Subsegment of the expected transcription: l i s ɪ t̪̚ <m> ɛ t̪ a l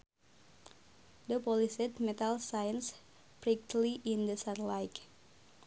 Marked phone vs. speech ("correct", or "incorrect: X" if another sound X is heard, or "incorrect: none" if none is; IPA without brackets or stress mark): correct